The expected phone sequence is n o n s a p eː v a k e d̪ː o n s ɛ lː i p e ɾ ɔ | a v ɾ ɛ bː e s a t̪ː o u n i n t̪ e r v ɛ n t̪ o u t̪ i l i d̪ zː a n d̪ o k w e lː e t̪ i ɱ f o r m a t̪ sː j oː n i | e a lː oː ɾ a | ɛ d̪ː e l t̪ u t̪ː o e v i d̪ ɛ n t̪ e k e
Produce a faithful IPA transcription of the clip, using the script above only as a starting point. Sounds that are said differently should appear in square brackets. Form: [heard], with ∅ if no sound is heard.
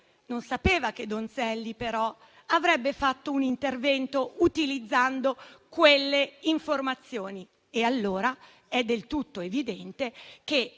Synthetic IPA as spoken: n o n s a p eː v a k e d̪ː o n s ɛ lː i p e ɾ ɔ | a v ɾ ɛ bː e [f] a t̪ː o u n i n t̪ e r v ɛ n t̪ o u t̪ i l i d̪ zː a n d̪ o k w e lː e [∅] i ɱ f o r m a t̪ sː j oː n i | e a lː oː ɾ a | ɛ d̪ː e l t̪ u t̪ː o e v i d̪ ɛ n t̪ e k e

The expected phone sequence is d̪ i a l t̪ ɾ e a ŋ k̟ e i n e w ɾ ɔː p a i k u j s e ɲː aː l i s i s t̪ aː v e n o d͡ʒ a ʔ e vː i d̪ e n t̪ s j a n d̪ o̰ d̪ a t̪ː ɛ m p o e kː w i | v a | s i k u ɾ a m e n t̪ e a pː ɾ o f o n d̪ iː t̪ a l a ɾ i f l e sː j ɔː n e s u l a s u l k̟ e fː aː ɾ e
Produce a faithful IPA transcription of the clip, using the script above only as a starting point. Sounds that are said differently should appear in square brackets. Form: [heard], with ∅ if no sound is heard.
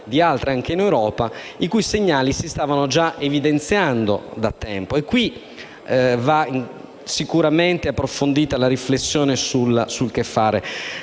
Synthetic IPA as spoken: d̪ i a l t̪ ɾ e a ŋ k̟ e i n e w ɾ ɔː p a i k u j s e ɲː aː l i s i s t̪ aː v [a] n o d͡ʒ a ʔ e [v] i d̪ e n t̪ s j a n d̪ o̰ d̪ a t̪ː ɛ m p o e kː w i | v a | s i k u ɾ a m e n t̪ e a pː ɾ o f o n d̪ iː t̪ a l a ɾ i f l e sː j ɔː n e s u l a s u l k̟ e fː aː ɾ e

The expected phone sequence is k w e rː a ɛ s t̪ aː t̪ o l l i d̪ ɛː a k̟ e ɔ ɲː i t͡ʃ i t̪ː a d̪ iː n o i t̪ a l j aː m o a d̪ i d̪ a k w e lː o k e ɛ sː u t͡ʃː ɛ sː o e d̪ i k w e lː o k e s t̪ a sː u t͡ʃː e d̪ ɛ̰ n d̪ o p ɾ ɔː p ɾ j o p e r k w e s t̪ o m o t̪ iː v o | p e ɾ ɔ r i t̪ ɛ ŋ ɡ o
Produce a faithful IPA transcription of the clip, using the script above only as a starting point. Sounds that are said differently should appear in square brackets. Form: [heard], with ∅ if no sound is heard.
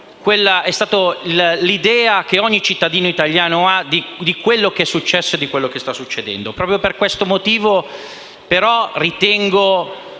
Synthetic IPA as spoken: k w e [lː] a ɛ s t̪ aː t̪ o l l i d̪ ɛː a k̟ e ɔ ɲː i t͡ʃ i t̪ː a d̪ iː n o i t̪ a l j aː [n] o a d̪ i d̪ [i] k w e lː o k e ɛ sː u t͡ʃː ɛ sː o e d̪ i k w e lː o k e s t̪ a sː u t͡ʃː e d̪ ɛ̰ n d̪ o p ɾ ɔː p ɾ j o p e r k w e s t̪ o m o t̪ iː v o | p e ɾ ɔ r i t̪ ɛ ŋ ɡ o

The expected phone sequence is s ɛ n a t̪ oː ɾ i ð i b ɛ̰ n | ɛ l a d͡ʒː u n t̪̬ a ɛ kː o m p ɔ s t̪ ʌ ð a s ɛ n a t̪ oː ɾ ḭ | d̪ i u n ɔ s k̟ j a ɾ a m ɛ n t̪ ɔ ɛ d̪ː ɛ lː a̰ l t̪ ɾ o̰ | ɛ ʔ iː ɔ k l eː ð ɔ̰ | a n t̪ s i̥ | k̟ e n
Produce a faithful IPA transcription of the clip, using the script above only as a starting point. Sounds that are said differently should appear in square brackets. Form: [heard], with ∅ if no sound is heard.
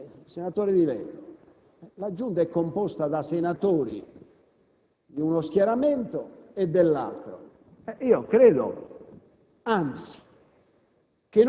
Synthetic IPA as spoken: s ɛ n a t̪ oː ɾ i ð i [v] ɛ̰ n | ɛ l a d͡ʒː u n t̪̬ a ɛ kː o m p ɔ s t̪ [a] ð a s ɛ n a t̪ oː ɾ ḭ | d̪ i u n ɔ s k̟ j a ɾ a m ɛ n t̪ ɔ ɛ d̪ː ɛ lː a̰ l t̪ ɾ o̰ | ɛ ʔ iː ɔ k [ɾ] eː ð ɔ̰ | a n t̪ s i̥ | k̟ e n

